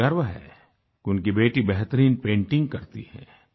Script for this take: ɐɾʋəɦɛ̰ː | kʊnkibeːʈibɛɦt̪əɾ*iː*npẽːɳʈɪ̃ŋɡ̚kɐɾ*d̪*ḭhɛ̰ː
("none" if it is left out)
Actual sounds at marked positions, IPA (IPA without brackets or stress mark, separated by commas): iː, t̪